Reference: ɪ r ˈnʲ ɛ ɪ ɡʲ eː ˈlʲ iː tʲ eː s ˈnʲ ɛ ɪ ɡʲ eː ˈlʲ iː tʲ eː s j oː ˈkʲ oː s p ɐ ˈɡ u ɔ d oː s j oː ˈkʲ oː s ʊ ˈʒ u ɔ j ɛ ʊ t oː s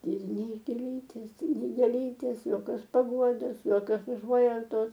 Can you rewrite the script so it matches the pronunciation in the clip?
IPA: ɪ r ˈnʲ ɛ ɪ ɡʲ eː ˈlʲ iː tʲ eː s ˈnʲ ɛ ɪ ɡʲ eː ˈlʲ iː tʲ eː s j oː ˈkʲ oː s p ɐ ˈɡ u ɔ d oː s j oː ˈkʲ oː s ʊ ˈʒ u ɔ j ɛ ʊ t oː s